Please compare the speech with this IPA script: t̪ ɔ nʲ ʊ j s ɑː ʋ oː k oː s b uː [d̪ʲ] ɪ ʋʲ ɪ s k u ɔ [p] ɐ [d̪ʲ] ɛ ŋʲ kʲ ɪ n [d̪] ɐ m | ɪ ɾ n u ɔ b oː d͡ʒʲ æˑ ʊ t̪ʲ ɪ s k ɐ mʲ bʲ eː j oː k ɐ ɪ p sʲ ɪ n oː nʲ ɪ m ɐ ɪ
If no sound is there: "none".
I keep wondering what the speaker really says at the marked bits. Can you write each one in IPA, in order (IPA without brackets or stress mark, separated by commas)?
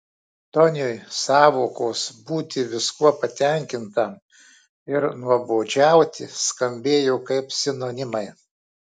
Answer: t̪ʲ, p, t̪ʲ, t̪